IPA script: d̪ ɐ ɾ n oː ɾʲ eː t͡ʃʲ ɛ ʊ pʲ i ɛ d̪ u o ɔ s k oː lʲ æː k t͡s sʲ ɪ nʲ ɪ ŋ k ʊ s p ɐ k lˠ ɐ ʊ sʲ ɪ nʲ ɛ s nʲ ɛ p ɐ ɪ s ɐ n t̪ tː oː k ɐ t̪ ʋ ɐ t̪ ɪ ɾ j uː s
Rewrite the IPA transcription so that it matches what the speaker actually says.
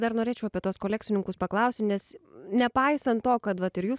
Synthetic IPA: d̪ ɐ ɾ n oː ɾʲ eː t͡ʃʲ ɛ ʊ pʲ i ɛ t̪ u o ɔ s k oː lʲ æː k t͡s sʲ ɪ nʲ ɪ ŋ k ʊ s p ɐ k lˠ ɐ ʊ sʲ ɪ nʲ ɛ s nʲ ɛ p ɐ ɪ s ɐ n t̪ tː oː k ɐ t̪ ʋ ɐ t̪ ɪ ɾ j uː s